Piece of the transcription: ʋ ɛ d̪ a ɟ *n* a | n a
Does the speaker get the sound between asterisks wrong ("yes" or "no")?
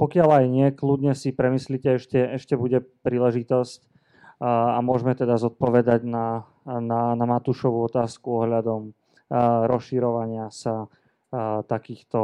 no